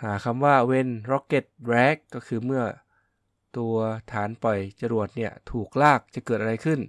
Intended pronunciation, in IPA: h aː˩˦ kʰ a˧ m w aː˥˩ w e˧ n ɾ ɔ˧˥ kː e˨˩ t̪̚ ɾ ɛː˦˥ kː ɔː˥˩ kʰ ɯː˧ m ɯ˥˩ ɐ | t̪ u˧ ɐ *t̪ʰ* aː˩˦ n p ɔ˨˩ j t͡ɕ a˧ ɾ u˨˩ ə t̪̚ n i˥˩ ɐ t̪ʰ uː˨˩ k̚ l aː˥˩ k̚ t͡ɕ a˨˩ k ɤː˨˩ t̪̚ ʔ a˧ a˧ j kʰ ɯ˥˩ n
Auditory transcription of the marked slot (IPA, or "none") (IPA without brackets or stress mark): t̪ʰ